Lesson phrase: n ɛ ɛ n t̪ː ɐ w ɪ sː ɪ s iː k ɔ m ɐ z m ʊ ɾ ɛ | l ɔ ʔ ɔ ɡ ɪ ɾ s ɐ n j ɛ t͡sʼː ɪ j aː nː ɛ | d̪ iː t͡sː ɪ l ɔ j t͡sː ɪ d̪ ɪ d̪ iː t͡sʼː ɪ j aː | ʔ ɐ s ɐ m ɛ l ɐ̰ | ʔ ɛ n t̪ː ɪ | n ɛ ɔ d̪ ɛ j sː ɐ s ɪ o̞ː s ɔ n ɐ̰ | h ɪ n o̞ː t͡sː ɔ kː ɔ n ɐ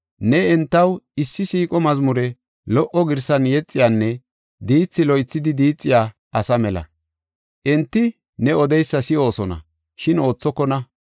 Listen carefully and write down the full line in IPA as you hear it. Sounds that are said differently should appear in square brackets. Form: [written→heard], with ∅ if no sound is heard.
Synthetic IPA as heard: n ɛ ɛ n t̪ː ɐ w ɪ sː ɪ s iː [k→kʼ] ɔ m ɐ z m ʊ ɾ ɛ | l ɔ ʔ ɔ ɡ ɪ ɾ s ɐ n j ɛ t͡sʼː ɪ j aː nː ɛ | d̪ iː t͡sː ɪ l ɔ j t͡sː ɪ d̪ ɪ d̪ iː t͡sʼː ɪ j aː | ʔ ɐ s ɐ m ɛ l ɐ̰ | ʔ ɛ n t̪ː ɪ | n ɛ ɔ d̪ ɛ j sː ɐ s ɪ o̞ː s ɔ n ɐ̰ | [h→ʃ] ɪ n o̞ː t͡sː ɔ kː ɔ n ɐ